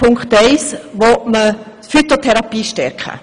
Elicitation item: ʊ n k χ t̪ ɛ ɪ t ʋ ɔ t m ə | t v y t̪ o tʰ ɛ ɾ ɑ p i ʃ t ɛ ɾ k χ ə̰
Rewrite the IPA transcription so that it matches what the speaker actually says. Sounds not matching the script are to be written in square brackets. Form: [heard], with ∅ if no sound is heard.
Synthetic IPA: ʊ [ŋ] k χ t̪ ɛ ɪ [s] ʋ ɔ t m ə | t [f] y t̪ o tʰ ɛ ɾ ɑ p [iː] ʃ t ɛ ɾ k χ ə̰